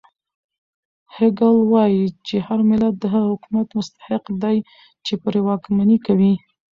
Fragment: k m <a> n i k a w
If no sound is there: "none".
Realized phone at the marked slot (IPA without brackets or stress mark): a